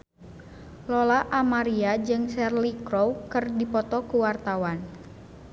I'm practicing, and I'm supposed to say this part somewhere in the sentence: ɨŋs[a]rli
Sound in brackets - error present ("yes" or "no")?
yes